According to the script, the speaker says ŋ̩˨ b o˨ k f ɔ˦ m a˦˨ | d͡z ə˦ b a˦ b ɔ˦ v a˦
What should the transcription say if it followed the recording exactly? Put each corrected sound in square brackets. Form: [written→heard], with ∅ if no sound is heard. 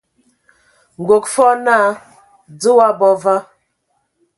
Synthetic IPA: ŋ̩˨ [b→ɡ] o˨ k f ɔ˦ [m→n] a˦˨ | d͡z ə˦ [b→w] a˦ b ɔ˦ v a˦